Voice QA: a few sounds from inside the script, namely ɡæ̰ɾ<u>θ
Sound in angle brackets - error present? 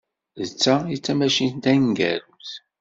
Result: no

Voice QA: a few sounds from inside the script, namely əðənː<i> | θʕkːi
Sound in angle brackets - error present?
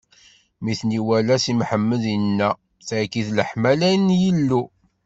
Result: yes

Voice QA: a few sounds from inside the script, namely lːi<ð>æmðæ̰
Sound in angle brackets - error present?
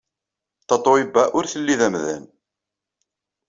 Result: no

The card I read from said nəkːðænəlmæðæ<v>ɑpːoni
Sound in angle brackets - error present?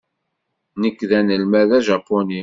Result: yes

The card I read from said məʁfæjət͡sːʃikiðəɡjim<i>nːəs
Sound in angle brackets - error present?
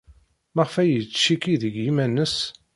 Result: yes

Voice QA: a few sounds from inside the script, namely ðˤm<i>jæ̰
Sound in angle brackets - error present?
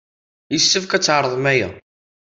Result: yes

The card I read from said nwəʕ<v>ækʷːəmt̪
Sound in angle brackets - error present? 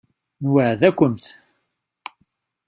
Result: yes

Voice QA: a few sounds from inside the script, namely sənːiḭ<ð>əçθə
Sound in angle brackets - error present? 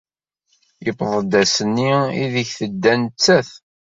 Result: no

